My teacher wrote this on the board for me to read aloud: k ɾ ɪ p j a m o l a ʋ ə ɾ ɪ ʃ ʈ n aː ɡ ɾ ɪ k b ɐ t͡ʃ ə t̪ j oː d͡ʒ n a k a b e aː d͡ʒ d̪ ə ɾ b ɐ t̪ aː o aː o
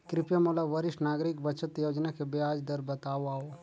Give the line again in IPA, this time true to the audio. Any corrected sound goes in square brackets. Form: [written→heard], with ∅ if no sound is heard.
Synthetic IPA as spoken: k ɾ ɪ p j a m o l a ʋ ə ɾ ɪ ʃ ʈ n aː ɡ ɾ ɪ k b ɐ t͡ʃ ə t̪ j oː d͡ʒ n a k [a→e] b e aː d͡ʒ d̪ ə ɾ b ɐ t̪ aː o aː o